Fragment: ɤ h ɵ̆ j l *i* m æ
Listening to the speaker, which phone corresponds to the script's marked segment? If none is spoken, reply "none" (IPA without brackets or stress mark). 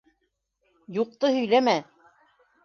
æ